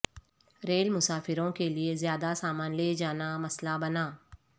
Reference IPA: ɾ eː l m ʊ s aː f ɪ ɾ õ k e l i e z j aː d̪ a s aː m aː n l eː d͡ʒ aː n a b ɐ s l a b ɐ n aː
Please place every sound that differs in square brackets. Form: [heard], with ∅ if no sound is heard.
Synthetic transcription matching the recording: ɾ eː l m ʊ s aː f ɪ ɾ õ k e l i e z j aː d̪ a s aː m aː n l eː d͡ʒ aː n a [m] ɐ s l a b ɐ n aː